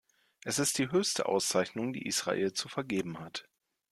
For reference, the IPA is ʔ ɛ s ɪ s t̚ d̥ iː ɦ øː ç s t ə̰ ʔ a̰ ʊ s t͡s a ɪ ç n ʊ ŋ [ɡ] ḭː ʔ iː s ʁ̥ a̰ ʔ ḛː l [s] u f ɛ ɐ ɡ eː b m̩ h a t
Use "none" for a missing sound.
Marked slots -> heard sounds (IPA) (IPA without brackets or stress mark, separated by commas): d, t͡s